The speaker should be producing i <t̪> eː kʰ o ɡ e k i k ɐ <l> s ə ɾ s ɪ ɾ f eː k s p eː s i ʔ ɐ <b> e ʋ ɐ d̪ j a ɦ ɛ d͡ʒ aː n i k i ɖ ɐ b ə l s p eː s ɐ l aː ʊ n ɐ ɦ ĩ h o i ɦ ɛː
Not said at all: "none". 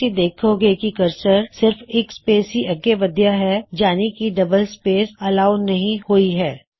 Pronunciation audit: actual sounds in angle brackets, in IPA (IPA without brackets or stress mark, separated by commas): d̪, ɾ, ɡ